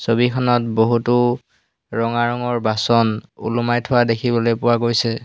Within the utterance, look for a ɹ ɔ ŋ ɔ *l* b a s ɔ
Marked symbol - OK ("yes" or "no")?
no